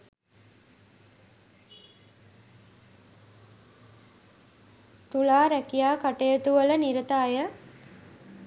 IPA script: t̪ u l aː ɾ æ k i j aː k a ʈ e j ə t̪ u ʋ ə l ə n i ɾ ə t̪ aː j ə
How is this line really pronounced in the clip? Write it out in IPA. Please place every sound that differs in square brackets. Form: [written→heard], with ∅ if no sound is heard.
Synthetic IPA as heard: t̪ u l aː ɾ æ k i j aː k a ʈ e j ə t̪ u ʋ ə l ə n i ɾ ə t̪ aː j ə